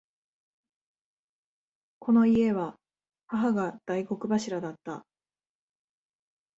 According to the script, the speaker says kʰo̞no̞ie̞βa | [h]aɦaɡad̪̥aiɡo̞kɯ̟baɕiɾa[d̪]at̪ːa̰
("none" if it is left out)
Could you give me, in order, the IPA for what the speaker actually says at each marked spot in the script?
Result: h, d̪

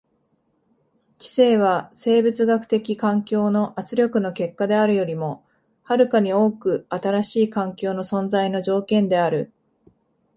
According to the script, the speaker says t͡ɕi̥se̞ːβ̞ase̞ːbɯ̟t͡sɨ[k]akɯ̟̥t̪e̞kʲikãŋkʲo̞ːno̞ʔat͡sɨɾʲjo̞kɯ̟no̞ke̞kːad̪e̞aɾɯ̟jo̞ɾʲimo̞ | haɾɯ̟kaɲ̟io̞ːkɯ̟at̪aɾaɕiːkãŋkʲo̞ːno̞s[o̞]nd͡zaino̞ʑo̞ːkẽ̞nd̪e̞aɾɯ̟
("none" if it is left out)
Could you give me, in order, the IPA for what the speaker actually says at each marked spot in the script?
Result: ɡ, õ̞

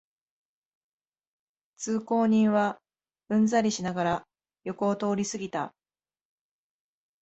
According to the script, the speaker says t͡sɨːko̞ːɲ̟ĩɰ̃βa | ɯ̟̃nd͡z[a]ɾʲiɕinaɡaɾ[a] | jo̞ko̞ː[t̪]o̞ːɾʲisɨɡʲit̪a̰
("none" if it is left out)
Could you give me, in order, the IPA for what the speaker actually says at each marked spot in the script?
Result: a, a, t̪

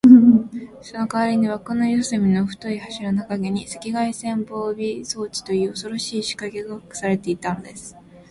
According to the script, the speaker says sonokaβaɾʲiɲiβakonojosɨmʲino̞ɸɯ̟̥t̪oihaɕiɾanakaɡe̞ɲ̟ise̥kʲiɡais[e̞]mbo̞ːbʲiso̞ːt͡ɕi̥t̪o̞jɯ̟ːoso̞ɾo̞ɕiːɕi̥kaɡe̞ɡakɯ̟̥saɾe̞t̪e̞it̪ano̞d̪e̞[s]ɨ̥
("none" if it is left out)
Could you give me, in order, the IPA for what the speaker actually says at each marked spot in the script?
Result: ẽ̞, s

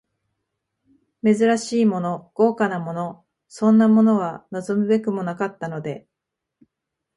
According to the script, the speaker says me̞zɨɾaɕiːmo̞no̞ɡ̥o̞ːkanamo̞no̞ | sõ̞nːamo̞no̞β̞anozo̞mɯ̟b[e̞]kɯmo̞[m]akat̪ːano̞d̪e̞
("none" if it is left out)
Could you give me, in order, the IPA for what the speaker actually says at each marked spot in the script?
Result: e̞, n

